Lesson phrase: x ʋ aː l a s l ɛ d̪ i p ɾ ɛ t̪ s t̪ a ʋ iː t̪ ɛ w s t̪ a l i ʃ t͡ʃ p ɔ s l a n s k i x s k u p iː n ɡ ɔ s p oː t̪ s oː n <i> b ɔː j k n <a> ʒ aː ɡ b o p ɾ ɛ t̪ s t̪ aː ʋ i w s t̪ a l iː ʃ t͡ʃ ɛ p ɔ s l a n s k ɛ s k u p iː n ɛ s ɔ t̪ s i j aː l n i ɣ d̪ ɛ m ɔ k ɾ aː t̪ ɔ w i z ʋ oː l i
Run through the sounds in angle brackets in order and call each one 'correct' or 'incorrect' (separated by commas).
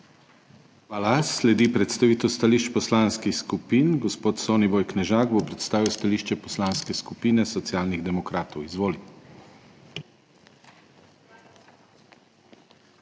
correct, incorrect